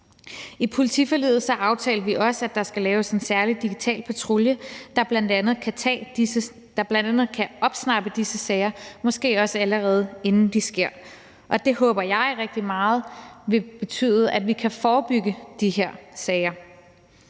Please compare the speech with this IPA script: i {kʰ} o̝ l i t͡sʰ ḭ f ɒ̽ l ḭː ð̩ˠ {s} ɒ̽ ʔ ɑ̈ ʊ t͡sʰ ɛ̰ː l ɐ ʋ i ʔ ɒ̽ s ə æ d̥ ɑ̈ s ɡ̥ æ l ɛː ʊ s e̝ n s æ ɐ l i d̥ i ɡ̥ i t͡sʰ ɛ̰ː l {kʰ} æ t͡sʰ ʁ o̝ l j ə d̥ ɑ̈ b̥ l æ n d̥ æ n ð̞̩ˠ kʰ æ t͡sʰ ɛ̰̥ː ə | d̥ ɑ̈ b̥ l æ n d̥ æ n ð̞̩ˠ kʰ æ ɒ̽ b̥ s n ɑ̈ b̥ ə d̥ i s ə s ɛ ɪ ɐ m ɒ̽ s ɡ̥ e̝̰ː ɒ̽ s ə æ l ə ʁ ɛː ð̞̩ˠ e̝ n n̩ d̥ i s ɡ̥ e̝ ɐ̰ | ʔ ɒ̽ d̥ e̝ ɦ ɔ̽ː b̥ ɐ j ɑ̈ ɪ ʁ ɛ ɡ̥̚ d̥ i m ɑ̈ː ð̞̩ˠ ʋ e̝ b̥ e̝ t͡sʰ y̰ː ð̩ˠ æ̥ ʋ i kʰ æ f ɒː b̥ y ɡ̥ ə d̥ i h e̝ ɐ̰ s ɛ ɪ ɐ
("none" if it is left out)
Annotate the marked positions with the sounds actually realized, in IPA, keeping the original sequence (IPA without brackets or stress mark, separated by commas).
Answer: pʰ, s, pʰ